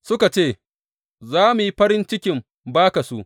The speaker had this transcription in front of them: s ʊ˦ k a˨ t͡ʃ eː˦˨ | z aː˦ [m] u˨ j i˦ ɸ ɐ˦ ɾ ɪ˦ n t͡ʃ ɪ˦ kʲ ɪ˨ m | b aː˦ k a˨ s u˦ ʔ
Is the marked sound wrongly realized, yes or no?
no